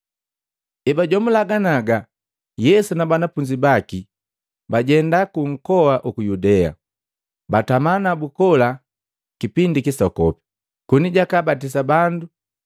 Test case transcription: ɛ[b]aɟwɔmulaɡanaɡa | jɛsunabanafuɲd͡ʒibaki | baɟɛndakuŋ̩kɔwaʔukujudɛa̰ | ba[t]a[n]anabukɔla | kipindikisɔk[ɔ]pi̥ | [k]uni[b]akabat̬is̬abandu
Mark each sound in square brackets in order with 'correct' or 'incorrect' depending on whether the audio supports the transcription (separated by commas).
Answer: correct, correct, incorrect, correct, correct, incorrect